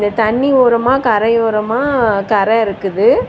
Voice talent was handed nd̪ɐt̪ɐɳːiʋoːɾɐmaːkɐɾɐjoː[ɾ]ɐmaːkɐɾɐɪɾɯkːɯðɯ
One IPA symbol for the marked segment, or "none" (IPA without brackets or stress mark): ɾ